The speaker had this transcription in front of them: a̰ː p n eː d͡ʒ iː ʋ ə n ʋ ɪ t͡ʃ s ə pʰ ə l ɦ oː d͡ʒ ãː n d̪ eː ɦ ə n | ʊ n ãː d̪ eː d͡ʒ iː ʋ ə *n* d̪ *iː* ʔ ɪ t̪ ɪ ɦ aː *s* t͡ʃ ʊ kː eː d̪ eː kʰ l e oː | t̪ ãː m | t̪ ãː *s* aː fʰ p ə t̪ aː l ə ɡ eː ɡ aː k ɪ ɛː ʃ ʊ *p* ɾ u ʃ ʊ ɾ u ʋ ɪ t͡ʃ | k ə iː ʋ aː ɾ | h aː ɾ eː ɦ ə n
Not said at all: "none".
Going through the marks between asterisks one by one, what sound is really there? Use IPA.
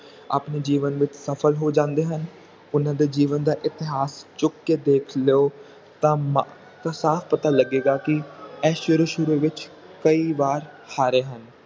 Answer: n, aː, s, s, none

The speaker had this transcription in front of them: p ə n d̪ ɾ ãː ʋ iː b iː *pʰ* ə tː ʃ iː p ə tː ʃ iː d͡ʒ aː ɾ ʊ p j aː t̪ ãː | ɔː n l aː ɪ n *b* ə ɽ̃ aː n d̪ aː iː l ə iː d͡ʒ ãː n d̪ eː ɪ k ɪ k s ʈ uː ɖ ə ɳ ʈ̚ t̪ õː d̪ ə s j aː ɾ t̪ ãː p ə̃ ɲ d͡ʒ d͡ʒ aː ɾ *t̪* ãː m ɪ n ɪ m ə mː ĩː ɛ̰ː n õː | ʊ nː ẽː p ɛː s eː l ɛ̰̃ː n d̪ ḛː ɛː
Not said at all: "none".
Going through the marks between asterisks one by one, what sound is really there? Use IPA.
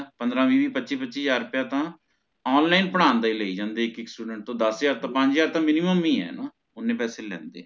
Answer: p, p, t̪

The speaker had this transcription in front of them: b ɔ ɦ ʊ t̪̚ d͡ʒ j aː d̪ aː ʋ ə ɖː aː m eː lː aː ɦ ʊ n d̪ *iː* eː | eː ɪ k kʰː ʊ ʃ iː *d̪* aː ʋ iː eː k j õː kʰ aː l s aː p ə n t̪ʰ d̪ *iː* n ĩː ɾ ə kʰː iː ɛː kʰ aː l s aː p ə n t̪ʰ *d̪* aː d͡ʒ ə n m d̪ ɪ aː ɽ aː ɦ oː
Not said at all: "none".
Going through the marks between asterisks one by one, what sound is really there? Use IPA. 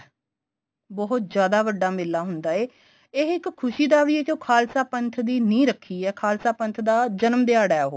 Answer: aː, d̪, iː, d̪

